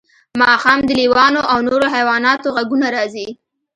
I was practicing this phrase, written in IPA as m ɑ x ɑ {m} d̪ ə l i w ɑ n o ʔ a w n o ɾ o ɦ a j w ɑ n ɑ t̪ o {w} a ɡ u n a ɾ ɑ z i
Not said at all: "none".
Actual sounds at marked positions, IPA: m, ɣ

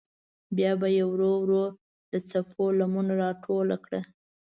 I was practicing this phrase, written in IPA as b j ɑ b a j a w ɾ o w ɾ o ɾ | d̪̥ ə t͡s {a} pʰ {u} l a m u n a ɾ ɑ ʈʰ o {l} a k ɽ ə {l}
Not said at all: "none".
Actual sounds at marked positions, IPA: a, o, l, none

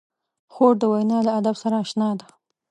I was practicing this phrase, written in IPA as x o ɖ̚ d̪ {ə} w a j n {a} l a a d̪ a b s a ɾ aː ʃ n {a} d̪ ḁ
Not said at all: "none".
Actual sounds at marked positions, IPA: ə, ɑ, ɑ

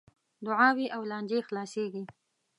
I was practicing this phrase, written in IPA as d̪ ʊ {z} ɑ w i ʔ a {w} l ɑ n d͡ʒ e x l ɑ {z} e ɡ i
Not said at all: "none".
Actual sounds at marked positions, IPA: ʕ, w, s

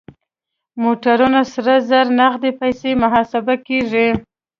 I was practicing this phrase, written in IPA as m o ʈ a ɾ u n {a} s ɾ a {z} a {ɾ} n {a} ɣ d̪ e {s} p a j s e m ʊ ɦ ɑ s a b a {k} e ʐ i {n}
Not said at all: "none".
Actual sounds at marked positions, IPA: a, z, ɾ, a, none, k, none

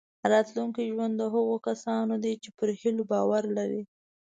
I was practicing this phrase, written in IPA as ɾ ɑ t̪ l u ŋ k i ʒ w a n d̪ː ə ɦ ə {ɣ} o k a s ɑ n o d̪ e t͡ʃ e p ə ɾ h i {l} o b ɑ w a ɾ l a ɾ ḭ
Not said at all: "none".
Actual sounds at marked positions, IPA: ɣ, l

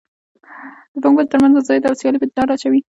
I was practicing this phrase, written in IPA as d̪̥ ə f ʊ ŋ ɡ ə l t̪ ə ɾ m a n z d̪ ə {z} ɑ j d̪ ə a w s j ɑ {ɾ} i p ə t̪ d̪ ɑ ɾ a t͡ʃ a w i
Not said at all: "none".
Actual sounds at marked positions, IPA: z, l

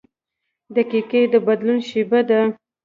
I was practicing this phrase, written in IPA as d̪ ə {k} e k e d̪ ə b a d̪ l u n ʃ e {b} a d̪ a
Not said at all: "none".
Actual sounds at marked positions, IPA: k, b

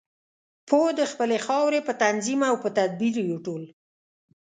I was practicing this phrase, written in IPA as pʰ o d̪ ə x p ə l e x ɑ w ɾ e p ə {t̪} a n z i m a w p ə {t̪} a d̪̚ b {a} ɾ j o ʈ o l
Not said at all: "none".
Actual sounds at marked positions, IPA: t̪, t̪, i

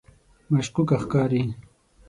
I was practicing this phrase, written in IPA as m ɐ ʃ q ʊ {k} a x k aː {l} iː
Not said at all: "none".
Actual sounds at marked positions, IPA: k, ɾ

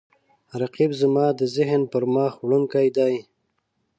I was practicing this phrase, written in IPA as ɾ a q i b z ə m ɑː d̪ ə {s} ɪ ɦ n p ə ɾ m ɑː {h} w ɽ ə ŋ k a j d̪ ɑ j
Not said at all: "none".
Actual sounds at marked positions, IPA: z, x

